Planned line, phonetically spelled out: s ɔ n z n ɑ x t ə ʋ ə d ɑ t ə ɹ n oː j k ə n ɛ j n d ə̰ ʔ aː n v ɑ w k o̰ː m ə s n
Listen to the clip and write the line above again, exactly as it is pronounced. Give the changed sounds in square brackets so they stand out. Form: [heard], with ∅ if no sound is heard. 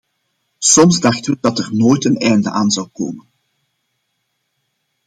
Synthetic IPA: s ɔ [m] z [d] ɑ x t ə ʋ ə d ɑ t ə [r] n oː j [t] ə n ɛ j n d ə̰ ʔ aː n [z] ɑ w k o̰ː m ə [∅] n